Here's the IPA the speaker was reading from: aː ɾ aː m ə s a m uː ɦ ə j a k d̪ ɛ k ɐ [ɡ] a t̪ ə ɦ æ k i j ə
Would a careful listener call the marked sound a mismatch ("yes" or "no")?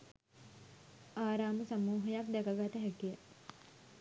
no